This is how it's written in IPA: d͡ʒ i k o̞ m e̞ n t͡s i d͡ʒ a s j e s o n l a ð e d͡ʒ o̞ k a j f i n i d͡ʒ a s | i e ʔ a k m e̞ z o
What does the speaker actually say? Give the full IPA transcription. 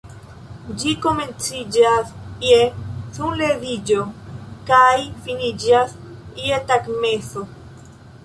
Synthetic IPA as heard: d͡ʒ i k o̞ m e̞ n t͡s i d͡ʒ a s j e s u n l e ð i d͡ʒ o̞ k a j f i n i d͡ʒ a s | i e t a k m e̞ s o